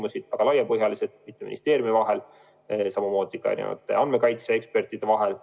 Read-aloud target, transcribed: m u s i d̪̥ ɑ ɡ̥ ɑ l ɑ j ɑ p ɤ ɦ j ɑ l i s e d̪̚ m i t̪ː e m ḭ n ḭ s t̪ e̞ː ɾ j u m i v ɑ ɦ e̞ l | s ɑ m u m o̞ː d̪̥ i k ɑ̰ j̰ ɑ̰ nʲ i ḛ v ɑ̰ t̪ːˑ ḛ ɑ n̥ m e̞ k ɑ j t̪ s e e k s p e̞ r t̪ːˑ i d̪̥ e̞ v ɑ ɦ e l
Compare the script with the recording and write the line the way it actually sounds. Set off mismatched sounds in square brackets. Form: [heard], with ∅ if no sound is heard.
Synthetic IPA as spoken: m u s i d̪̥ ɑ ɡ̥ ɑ l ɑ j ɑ p ɤ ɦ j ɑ l i s e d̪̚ m i t̪ː e m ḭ n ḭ s t̪ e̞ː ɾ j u m i v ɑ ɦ e̞ l | s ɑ m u m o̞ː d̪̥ i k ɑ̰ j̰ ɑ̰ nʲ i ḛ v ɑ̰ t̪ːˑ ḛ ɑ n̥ m e̞ k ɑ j t̪ s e e k s p e̞ r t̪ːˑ i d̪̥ e̞ v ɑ ɦ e l

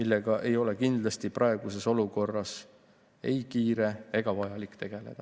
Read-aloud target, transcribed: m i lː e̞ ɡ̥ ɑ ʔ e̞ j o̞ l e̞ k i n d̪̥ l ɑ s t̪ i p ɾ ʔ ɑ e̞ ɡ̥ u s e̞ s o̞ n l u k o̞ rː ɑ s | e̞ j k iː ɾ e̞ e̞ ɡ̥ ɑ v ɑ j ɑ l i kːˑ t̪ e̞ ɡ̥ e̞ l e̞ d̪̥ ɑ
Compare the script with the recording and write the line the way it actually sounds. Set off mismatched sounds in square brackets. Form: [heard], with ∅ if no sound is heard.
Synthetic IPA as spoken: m i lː e̞ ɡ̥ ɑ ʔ e̞ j o̞ l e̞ k i n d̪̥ l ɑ s t̪ i p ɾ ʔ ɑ e̞ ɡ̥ u s e̞ s o̞ [∅] l u k o̞ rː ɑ s | e̞ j k iː ɾ e̞ e̞ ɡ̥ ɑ v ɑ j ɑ l i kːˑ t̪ e̞ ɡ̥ e̞ l e̞ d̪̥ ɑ

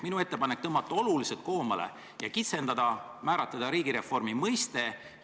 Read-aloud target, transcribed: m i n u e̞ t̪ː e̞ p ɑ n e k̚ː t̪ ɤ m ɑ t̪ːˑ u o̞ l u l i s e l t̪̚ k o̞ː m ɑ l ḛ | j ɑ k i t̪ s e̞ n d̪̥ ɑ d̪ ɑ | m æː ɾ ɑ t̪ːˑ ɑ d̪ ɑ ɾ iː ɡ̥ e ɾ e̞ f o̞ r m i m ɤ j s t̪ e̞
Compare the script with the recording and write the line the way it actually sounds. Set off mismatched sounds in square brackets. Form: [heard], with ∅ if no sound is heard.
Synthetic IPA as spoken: m i n u e̞ t̪ː e̞ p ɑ n e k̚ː t̪ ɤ m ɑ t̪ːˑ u o̞ l u l i s e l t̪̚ k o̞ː m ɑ l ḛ | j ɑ k i t̪ s e̞ n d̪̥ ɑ d̪ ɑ | m æː ɾ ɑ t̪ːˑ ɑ d̪ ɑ ɾ iː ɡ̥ [i] ɾ e̞ f o̞ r m i m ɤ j s t̪ e̞

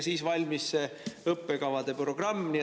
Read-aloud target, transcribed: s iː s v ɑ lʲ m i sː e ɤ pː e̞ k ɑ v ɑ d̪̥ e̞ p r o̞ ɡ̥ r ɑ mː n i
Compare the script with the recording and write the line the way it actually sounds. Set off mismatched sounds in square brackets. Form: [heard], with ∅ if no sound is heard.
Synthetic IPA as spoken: s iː s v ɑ lʲ m i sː e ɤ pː e̞ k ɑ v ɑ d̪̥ e̞ p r o̞ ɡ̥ r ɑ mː n i

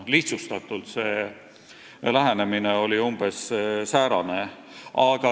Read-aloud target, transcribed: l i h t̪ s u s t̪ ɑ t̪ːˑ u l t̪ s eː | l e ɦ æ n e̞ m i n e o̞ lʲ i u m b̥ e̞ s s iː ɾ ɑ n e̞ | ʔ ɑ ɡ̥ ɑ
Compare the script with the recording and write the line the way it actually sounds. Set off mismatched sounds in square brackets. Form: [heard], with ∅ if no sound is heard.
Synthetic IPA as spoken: l i h t̪ s u s t̪ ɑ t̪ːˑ u l t̪ s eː | l [æ] ɦ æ n e̞ m i n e o̞ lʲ i u m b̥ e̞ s s [æː] ɾ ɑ n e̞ | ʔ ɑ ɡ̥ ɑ

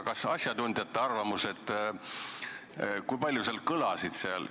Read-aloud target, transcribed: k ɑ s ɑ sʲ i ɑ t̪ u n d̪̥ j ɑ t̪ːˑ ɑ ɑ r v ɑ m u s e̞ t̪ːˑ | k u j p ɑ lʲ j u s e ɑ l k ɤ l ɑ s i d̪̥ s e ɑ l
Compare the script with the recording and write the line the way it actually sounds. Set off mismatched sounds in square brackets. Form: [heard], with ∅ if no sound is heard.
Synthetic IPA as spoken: k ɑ s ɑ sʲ [j] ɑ t̪ u n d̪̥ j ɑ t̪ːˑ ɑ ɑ r v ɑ m u s e̞ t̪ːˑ | k u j p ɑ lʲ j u s e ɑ l k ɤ l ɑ s i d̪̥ s e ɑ l

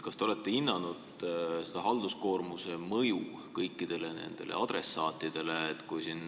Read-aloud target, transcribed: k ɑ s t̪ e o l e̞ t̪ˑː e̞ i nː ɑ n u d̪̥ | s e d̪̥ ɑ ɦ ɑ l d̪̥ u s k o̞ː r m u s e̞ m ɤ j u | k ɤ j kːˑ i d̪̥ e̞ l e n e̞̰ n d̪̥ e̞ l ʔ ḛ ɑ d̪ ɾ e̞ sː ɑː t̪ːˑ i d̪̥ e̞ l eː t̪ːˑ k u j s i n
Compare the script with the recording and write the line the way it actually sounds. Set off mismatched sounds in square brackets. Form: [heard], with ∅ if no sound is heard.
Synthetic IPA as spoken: k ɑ s t̪ e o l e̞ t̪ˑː e̞ i nː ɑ n u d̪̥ | s e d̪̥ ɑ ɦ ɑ l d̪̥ u s k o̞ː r m u s e̞ m ɤ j u | k ɤ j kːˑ i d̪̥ e̞ l e n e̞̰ n d̪̥ e̞ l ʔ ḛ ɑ d̪ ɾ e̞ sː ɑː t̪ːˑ i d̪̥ e̞ l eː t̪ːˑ k u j s i n

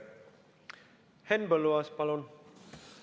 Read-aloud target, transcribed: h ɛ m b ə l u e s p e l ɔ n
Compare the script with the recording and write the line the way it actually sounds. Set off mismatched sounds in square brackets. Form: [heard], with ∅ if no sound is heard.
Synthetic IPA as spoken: h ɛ [n] b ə l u [a] s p [a] l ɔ n

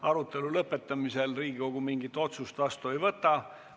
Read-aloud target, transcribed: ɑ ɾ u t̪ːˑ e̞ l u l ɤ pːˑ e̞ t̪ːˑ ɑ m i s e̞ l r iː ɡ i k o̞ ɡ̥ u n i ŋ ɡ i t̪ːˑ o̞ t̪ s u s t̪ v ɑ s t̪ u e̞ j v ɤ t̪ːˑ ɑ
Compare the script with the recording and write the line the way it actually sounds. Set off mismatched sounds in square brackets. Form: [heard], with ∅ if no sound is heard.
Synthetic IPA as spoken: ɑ ɾ u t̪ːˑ e̞ l u l ɤ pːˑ e̞ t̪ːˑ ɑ m i s e̞ l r iː ɡ i k o̞ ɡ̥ u [m] i ŋ ɡ i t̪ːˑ o̞ t̪ s u s t̪ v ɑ s t̪ u e̞ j v ɤ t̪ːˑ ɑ

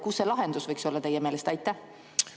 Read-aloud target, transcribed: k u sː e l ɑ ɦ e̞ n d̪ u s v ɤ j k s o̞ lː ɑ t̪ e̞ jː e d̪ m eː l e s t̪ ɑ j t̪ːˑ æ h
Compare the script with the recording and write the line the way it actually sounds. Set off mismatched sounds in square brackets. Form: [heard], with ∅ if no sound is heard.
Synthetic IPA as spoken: k u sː e l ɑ ɦ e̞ n d̪ u s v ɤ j k s o̞ lː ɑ t̪ e̞ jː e [∅] m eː l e s t̪ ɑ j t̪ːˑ æ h

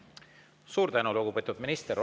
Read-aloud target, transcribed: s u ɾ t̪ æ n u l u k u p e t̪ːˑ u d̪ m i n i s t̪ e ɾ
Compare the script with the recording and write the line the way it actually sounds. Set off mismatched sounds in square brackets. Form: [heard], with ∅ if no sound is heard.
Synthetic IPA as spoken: s [uː] ɾ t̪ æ n u l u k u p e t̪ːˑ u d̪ m i n i s t̪ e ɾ

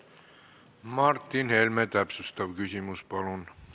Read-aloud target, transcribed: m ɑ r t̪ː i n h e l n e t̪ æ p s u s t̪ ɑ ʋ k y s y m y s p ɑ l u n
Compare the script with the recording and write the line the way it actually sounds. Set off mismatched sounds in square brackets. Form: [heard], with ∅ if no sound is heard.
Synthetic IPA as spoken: m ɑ r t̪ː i n h e l [m] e t̪ æ p s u s t̪ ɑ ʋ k y s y m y s p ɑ l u n

